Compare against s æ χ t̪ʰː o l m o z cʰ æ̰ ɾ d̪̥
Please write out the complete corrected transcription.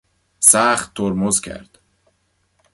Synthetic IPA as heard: s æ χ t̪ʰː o ɾ m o z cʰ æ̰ ɾ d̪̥